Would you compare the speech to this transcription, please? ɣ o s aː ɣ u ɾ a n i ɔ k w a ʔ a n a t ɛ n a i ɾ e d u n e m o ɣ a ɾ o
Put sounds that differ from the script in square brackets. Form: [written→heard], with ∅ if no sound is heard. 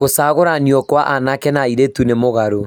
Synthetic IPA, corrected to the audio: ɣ o s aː ɣ [u→o] ɾ a n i ɔ k w a ʔ a n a [t→k] ɛ n a i ɾ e [d→t] u n e m o ɣ a ɾ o